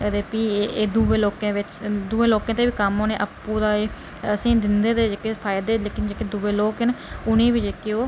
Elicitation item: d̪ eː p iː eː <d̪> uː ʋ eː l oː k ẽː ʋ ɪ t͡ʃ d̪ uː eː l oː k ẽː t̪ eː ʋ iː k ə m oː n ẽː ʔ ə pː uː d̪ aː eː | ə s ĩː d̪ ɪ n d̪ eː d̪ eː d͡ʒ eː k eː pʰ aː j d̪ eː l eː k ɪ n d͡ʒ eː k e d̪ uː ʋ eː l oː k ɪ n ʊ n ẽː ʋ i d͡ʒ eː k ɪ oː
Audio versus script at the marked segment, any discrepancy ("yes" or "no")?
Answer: no